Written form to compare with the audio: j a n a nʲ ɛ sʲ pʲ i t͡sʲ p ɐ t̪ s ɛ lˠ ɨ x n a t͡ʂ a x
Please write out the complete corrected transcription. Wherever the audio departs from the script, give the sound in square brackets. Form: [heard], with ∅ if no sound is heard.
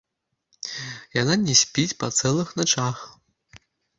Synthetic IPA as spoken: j a n a nʲ ɛ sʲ pʲ i t͡sʲ p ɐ t̪ s ɛ lˠ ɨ x n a t͡ʂ a x